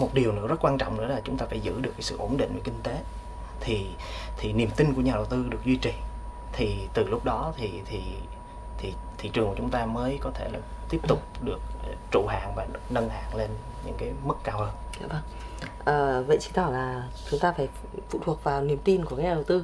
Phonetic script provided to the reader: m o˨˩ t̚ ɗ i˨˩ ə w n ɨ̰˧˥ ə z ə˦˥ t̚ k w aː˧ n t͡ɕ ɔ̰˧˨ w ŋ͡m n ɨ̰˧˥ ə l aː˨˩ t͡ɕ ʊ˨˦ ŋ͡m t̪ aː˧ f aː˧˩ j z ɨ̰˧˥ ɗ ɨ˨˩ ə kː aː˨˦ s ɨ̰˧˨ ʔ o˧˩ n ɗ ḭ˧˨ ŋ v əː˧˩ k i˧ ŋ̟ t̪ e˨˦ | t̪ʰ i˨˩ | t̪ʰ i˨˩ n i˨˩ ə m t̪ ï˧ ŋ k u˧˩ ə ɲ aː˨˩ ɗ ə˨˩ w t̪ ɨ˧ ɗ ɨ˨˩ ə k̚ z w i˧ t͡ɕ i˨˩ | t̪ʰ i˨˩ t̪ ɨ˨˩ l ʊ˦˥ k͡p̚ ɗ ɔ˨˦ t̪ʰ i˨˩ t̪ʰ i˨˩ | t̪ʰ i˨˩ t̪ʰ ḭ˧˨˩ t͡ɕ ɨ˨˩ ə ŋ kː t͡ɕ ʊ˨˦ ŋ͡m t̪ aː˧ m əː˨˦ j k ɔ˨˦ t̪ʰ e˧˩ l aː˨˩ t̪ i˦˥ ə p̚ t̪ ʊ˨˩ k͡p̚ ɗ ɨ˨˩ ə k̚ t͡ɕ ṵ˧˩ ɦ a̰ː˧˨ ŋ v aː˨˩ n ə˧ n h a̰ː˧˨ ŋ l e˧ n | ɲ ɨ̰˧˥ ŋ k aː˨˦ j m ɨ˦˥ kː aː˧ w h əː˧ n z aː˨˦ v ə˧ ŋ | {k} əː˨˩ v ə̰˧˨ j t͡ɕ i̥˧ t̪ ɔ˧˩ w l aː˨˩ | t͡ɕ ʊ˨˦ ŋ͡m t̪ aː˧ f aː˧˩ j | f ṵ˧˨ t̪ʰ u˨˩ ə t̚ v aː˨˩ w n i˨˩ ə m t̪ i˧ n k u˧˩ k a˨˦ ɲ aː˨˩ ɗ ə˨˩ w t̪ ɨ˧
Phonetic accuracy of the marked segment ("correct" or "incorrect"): incorrect